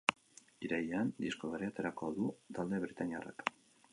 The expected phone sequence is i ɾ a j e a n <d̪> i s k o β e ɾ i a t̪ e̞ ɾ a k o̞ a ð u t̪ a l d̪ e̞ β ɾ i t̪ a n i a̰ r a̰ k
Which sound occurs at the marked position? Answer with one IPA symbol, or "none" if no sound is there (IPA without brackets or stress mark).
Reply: d̪